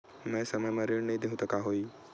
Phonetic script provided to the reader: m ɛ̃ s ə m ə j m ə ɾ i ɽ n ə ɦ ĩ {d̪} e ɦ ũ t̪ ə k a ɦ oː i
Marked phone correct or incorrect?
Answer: correct